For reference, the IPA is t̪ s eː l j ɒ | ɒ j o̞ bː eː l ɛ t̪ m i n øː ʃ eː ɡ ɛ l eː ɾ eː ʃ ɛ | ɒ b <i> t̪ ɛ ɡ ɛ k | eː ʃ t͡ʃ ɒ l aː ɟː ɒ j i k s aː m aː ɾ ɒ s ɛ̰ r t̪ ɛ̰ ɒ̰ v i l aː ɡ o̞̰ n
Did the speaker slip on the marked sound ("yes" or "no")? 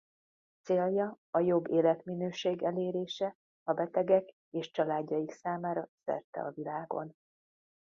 yes